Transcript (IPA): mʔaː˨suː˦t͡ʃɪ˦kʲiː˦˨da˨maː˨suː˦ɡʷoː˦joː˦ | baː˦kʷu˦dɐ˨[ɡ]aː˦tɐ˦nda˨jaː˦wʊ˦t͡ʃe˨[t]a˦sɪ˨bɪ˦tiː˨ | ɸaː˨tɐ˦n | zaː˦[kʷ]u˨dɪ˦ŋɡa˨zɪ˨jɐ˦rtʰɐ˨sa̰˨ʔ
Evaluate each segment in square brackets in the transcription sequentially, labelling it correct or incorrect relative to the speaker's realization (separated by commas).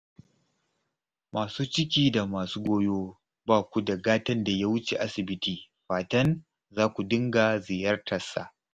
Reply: correct, incorrect, correct